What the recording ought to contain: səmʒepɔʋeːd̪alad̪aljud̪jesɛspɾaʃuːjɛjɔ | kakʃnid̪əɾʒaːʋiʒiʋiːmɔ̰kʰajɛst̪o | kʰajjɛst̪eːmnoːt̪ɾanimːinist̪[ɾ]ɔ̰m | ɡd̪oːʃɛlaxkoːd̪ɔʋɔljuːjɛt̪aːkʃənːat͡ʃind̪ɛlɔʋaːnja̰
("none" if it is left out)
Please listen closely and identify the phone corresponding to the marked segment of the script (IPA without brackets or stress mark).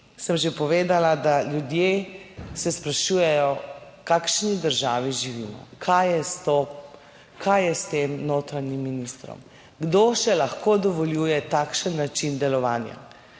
ɾ